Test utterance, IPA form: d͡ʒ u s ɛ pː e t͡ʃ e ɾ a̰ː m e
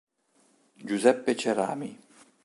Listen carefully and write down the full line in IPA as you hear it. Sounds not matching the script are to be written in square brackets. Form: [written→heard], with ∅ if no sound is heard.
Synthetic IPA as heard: d͡ʒ u [s→z] ɛ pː e t͡ʃ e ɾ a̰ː m [e→i]